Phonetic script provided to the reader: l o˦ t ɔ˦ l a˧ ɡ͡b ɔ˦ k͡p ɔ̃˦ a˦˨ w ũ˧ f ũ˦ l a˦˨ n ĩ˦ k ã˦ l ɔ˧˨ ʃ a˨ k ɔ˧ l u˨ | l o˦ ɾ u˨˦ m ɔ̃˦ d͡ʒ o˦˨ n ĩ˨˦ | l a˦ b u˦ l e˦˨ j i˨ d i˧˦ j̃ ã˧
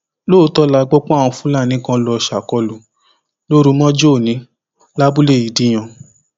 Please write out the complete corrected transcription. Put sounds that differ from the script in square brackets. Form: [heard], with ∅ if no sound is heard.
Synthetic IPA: l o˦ t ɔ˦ l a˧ ɡ͡b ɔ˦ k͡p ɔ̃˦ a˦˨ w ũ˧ f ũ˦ l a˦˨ n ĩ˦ k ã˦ l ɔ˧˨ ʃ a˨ k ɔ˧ l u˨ | l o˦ ɾ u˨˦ m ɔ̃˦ d͡ʒ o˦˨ n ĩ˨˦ | l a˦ b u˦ l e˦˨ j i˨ d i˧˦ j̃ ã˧